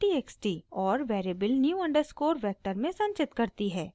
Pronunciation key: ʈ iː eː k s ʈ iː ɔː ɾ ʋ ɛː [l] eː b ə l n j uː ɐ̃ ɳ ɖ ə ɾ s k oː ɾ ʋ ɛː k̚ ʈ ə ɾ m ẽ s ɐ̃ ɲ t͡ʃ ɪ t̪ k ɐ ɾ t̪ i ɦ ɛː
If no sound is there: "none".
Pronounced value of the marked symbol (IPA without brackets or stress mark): ɾ